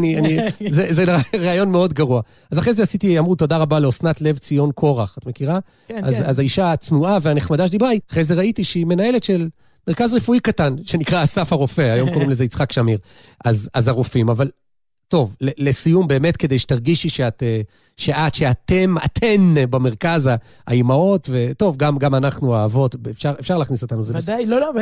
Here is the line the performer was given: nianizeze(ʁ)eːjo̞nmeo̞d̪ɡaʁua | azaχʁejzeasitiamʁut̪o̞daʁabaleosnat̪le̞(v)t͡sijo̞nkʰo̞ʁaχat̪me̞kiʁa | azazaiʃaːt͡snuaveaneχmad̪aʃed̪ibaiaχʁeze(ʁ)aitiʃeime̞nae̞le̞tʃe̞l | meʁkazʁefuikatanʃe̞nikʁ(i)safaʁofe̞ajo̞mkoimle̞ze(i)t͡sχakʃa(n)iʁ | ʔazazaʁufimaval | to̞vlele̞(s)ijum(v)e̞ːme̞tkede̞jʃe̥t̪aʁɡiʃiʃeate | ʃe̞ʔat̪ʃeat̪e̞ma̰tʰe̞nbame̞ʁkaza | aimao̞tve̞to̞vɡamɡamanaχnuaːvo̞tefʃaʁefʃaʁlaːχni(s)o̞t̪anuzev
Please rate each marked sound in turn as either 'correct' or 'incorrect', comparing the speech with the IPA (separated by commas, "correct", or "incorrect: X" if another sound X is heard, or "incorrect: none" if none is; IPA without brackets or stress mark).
correct, correct, correct, incorrect: a, correct, incorrect: m, correct, incorrect: b, correct